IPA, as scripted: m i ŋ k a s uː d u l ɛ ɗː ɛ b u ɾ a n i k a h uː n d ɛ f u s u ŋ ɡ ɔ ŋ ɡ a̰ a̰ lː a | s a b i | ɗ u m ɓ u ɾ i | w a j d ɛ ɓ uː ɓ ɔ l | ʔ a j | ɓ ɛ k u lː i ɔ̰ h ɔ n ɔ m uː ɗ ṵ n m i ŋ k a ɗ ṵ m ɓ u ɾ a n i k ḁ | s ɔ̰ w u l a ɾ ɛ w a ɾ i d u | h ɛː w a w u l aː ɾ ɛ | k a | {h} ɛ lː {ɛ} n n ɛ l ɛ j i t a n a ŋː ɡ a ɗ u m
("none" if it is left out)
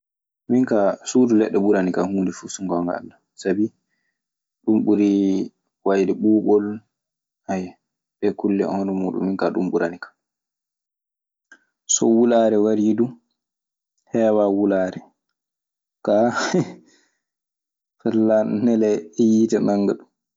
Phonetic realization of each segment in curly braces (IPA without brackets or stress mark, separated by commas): f, a